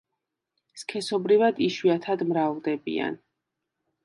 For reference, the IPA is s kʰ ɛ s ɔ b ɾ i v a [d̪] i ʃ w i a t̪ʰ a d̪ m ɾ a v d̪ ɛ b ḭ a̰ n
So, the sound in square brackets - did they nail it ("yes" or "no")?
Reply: yes